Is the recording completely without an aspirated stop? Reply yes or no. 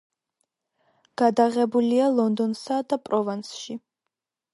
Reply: yes